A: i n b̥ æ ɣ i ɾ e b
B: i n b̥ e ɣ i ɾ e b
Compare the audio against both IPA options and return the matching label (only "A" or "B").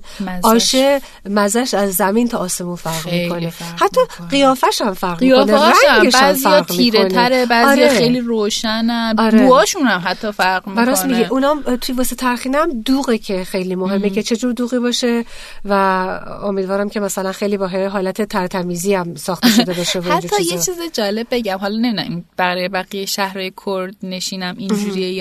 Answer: A